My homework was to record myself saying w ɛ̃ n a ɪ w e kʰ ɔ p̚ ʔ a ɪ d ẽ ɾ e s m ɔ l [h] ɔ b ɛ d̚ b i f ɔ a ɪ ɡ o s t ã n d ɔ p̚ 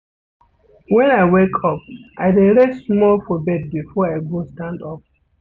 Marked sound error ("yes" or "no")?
yes